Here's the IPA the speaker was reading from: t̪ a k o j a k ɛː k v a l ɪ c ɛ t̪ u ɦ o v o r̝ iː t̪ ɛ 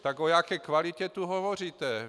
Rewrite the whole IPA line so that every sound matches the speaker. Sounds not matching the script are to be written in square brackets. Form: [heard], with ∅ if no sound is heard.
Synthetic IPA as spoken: t̪ a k o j a k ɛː k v a l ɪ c ɛ t̪ u ɦ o v o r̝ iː t̪ ɛ